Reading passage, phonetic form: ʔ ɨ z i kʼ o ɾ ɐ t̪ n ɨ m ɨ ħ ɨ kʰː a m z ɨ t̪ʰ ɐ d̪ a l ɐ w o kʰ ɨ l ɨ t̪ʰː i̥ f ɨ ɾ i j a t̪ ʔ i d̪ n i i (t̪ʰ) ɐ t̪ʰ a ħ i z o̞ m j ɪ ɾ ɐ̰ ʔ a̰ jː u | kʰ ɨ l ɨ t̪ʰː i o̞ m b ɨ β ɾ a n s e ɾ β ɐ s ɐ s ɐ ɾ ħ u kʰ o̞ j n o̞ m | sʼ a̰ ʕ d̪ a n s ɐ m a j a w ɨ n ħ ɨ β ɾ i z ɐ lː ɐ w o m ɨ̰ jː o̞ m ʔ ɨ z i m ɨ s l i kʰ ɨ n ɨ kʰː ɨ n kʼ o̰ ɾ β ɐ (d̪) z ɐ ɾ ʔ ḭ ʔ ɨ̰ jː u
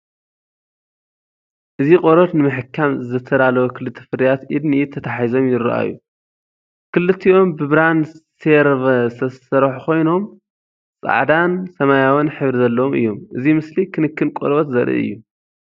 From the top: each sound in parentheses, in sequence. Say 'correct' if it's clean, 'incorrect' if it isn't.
correct, incorrect

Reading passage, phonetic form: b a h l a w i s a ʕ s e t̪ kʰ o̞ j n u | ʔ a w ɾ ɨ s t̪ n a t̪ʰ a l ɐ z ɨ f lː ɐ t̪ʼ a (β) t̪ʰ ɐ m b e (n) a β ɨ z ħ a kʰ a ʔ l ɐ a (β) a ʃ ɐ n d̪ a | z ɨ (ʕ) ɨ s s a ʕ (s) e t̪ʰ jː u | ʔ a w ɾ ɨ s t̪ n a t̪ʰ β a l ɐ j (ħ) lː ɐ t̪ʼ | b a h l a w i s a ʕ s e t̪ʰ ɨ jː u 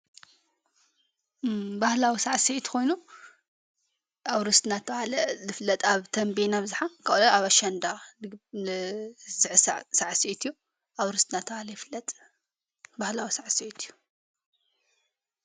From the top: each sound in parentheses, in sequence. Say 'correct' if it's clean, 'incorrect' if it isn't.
correct, correct, correct, correct, correct, incorrect

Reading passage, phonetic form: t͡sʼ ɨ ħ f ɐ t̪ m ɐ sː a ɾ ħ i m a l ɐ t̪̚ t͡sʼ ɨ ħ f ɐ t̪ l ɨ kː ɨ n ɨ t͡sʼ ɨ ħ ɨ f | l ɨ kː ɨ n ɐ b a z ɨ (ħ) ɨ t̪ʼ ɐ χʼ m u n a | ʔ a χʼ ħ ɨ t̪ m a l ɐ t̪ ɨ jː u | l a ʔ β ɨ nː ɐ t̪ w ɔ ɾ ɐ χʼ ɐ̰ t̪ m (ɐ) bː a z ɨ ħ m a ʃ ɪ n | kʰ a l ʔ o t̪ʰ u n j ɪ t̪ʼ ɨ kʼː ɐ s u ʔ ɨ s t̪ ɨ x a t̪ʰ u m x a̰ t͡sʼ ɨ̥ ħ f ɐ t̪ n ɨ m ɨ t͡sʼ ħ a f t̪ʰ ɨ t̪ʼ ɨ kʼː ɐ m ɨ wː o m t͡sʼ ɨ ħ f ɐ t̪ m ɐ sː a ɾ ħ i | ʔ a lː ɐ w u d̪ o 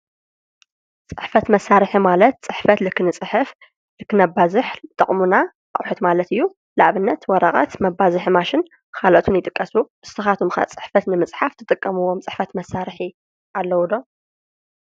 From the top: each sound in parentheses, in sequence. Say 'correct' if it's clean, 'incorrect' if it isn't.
correct, correct

